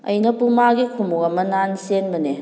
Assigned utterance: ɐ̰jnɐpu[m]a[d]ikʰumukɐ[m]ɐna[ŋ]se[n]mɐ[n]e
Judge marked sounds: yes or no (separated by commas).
yes, no, yes, no, yes, yes